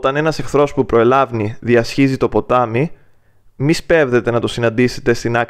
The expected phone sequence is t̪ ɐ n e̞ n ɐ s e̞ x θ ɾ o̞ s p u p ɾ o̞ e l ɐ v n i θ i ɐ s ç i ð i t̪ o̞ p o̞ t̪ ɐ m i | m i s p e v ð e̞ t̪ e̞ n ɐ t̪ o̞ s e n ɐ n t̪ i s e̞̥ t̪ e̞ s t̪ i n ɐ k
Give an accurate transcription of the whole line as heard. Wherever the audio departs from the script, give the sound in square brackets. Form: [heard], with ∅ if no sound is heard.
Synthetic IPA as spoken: t̪ ɐ n e̞ n ɐ s e̞ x θ ɾ o̞ s p u p ɾ o̞ e l ɐ v n i [ð] i ɐ s ç i [z] i t̪ o̞ p o̞ t̪ ɐ m i | m i s p e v ð e̞ t̪ e̞ n ɐ t̪ o̞ s [i] n ɐ n [d̪] i s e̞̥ t̪ e̞ s t̪ i n ɐ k